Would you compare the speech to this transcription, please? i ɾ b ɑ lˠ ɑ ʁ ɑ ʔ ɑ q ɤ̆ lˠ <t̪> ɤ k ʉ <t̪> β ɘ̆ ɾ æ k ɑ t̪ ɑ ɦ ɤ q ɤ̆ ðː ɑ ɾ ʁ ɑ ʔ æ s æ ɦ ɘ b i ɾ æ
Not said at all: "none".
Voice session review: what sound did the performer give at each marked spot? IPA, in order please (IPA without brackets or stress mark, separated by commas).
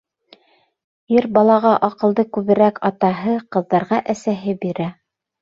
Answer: d̪, none